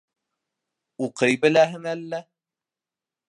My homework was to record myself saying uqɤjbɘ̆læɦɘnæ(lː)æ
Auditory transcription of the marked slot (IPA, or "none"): lː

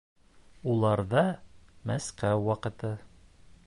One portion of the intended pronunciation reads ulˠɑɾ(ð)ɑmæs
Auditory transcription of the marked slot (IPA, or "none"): ð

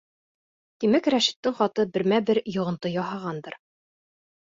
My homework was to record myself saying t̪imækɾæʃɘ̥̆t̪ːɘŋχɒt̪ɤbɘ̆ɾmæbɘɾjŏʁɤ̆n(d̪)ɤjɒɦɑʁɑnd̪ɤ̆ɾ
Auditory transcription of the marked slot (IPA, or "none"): t̪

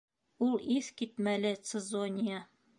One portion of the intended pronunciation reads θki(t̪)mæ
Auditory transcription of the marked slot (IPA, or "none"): t̪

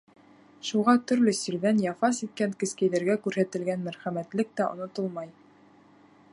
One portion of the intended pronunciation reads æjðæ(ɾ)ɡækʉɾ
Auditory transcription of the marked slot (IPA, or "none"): ɾ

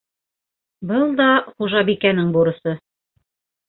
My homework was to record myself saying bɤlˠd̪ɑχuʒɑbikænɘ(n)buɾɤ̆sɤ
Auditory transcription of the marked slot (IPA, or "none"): ŋ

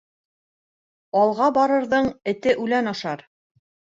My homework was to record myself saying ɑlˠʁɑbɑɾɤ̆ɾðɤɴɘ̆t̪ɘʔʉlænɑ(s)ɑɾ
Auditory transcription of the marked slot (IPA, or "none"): ʃ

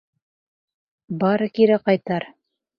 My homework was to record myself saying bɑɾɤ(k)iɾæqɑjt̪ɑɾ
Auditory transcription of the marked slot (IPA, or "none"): k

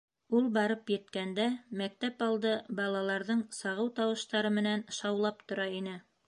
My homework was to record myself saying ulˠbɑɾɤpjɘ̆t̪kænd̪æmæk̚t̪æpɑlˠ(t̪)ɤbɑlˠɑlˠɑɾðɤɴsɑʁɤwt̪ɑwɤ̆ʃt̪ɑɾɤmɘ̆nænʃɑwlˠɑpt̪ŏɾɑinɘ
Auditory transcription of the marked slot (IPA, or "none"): d̪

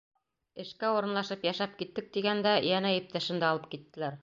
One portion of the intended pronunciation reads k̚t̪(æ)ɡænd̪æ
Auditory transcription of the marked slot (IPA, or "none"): i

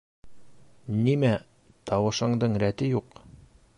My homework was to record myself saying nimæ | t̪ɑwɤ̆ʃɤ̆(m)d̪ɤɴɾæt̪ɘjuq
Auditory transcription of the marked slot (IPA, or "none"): ɴ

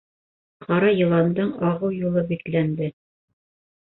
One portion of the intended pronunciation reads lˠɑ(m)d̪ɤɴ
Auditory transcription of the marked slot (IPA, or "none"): n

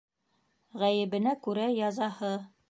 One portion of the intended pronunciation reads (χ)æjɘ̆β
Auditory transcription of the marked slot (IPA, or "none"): ʁ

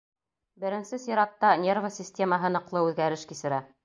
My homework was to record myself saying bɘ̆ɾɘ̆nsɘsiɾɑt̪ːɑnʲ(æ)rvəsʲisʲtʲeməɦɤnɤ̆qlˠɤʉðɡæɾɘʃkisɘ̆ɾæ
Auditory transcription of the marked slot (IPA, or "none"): e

